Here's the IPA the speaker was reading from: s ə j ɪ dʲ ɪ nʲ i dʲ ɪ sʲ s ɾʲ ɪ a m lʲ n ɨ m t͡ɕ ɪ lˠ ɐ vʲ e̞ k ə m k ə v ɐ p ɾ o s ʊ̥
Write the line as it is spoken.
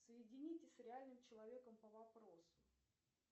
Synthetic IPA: s ə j ɪ dʲ ɪ nʲ i tʲ ɪ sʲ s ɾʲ ɪ a lʲ n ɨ m t͡ɕ ɪ lˠ ɐ vʲ e̞ k ə m p ə v ɐ p ɾ o s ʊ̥